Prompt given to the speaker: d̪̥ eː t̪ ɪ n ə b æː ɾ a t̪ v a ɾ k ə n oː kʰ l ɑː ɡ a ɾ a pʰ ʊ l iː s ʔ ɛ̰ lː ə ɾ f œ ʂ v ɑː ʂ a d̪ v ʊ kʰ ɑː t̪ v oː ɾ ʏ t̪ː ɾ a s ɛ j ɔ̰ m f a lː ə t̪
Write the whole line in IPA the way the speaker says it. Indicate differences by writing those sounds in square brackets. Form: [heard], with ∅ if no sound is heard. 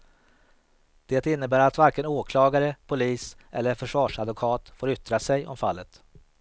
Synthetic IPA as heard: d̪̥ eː t̪ ɪ [nː] ə b æː ɾ a t̪ v a ɾ k ə n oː kʰ l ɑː ɡ a ɾ [ə] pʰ ʊ l iː s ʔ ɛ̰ lː ə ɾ f œ ʂ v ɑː ʂ a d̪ v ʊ kʰ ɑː t̪ [f] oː ɾ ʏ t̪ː ɾ a s ɛ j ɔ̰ m f a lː ə t̪